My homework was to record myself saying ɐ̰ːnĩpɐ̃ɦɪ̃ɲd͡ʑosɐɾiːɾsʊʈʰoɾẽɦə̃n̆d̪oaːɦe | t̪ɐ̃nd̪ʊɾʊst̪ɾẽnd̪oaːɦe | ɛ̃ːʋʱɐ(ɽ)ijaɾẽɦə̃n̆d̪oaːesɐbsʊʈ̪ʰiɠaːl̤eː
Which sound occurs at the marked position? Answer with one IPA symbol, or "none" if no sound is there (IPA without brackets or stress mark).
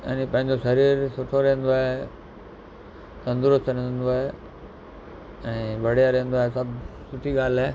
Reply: ɽ